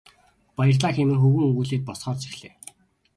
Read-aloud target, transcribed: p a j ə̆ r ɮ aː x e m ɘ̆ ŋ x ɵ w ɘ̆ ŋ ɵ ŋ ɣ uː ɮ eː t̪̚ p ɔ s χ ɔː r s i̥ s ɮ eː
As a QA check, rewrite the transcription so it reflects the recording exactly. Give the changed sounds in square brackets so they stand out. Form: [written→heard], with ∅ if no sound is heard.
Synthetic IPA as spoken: p a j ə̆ r ɮ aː x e m ɘ̆ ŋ x ɵ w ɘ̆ ŋ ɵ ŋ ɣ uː ɮ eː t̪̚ p ɔ s χ ɔː r [s→t͡s] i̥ [s→x] ɮ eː